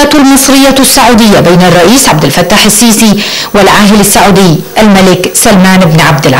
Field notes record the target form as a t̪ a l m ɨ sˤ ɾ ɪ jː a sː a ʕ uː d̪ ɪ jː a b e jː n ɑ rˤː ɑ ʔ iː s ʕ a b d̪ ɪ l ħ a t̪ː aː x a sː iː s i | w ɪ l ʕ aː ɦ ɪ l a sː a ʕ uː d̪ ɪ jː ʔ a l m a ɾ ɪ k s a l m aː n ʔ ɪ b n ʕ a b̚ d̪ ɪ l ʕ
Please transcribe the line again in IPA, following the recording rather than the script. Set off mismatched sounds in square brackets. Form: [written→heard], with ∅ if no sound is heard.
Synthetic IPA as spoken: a t̪ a l m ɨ sˤ ɾ ɪ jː a sː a ʕ uː d̪ ɪ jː a b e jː n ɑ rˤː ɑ ʔ iː s ʕ a b d̪ ɪ l [ħ→f] a t̪ː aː [x→ħ] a sː iː s i | w ɪ l ʕ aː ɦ ɪ l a sː a ʕ uː d̪ ɪ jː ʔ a l m a [ɾ→l] ɪ k s a l m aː n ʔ ɪ b n ʕ a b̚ d̪ ɪ l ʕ